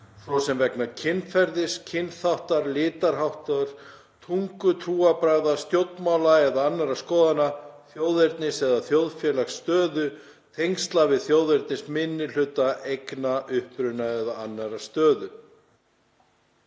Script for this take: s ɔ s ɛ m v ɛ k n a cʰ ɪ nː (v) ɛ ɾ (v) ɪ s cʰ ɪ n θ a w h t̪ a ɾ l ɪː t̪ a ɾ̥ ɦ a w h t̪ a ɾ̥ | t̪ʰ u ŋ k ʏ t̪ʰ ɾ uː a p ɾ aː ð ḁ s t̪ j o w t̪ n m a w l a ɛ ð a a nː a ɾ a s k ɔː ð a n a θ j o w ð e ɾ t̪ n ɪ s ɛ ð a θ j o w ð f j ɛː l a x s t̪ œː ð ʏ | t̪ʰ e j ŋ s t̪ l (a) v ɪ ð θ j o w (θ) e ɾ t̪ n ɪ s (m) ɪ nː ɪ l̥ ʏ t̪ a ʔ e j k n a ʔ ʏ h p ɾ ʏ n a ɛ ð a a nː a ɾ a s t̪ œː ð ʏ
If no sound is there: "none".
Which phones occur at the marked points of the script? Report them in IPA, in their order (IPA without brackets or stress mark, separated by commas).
f, ð, a, ð, m